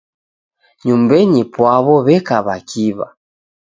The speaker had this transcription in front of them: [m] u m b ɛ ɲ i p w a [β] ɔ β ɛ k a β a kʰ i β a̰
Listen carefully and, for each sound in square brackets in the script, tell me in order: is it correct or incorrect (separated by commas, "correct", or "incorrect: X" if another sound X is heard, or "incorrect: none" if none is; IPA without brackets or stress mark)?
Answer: incorrect: ɲ, correct